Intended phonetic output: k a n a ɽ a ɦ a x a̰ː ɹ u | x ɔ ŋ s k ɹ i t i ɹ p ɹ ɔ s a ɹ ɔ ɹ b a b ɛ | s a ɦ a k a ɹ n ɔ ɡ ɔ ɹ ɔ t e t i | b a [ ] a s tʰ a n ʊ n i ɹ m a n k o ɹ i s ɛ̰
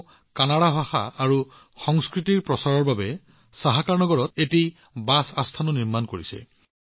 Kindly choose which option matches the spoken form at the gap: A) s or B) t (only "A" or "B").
A